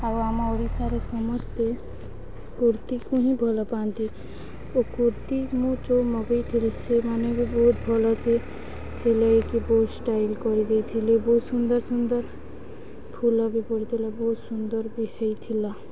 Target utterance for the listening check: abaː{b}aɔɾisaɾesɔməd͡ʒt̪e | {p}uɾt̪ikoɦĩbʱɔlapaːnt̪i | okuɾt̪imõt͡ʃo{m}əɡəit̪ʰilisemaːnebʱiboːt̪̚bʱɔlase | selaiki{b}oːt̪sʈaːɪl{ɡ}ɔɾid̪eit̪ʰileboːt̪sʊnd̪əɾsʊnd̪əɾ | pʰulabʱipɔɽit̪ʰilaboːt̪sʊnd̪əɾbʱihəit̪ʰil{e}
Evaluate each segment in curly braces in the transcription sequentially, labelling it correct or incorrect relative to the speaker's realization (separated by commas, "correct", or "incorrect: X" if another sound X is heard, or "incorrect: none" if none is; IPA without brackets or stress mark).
incorrect: m, incorrect: k, correct, correct, incorrect: k, incorrect: a